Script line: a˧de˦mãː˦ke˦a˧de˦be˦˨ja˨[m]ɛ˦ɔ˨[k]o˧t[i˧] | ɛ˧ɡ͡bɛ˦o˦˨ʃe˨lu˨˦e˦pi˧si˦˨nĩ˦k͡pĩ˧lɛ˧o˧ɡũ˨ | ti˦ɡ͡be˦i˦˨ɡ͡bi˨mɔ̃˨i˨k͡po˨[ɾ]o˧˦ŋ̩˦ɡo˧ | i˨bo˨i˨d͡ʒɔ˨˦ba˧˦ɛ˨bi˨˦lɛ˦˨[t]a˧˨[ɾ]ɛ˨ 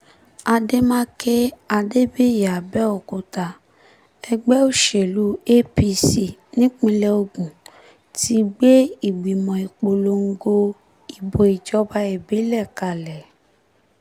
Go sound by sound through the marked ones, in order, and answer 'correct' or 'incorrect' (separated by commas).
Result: incorrect, correct, incorrect, incorrect, incorrect, incorrect